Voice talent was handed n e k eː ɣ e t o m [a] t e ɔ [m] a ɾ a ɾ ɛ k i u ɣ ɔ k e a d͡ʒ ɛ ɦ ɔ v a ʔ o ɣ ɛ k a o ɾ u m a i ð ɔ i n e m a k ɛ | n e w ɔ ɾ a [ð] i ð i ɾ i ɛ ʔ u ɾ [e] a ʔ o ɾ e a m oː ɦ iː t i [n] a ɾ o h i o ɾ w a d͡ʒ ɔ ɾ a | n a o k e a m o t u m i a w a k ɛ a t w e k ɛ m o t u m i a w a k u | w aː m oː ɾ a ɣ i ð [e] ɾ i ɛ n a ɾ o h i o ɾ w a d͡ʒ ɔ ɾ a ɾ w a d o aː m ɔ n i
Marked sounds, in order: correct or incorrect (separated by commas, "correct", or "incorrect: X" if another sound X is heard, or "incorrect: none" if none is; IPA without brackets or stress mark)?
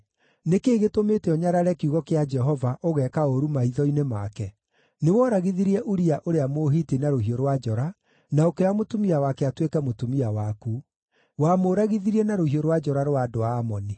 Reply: incorrect: e, incorrect: ɲ, incorrect: ɣ, incorrect: i, correct, incorrect: i